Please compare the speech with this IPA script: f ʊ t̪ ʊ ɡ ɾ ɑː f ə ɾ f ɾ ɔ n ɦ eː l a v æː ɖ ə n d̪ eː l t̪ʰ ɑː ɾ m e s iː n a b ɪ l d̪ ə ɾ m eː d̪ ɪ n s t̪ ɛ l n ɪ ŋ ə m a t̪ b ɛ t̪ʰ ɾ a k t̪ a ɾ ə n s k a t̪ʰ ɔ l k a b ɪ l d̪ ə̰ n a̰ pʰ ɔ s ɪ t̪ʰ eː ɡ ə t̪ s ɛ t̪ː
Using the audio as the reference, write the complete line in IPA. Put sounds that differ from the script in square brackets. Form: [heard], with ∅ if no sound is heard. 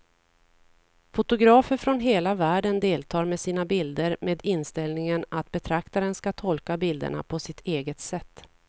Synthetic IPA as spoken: f ʊ t̪ ʊ ɡ ɾ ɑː f ə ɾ f ɾ ɔ n ɦ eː l a v æː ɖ ə n d̪ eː l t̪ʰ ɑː ɾ m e s iː n a b ɪ l d̪ ə ɾ m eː d̪ ɪ n s t̪ ɛ l n ɪ ŋ ə [n] a t̪ b ɛ t̪ʰ ɾ a k t̪ a ɾ ə n s k a t̪ʰ ɔ l k a b ɪ l d̪ ə̰ [ɳ] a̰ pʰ ɔ s ɪ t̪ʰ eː ɡ ə t̪ s ɛ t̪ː